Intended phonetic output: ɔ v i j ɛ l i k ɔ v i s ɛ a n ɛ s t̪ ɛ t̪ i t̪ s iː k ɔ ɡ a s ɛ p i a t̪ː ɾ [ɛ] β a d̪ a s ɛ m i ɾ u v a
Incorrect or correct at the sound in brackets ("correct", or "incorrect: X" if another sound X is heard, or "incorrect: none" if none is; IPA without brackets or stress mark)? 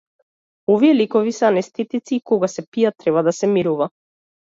correct